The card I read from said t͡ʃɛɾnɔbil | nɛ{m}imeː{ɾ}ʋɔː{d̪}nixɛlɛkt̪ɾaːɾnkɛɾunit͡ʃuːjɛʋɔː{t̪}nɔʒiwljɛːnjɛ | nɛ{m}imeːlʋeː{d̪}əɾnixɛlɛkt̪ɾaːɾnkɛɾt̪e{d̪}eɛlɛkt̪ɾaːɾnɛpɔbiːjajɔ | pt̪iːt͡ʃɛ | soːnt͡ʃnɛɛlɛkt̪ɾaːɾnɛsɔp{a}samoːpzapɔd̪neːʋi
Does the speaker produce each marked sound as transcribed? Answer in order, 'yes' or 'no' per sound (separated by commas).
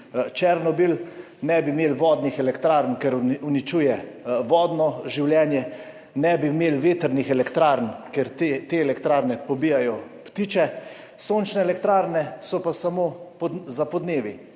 no, no, yes, no, no, no, no, yes